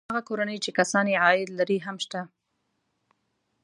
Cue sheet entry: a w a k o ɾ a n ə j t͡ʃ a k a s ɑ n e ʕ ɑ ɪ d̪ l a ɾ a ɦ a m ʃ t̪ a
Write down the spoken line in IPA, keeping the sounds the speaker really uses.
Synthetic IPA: a ɣ a k o ɾ a n ə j t͡ʃ e k a s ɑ n e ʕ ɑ ɪ d̪ l a ɾ i ɦ a m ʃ t̪ a